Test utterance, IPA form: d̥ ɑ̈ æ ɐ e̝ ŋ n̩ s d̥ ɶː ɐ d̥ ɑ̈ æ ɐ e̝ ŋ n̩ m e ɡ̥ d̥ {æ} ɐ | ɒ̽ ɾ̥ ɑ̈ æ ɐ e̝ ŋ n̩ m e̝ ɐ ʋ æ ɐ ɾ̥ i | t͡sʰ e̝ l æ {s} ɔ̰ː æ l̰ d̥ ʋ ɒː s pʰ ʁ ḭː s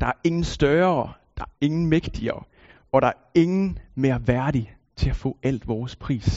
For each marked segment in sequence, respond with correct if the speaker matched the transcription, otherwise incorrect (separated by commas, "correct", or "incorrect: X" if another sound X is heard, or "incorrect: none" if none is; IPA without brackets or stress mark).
incorrect: i, incorrect: f